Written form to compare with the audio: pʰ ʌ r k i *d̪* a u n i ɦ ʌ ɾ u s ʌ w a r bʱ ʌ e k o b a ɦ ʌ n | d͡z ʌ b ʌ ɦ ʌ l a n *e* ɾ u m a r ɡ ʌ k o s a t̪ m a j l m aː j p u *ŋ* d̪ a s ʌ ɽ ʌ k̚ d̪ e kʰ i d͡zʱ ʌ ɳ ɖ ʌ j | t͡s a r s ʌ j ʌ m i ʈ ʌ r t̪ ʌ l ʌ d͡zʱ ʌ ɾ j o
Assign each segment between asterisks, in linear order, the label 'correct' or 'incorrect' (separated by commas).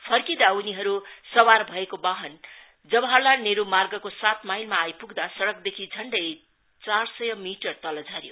correct, correct, incorrect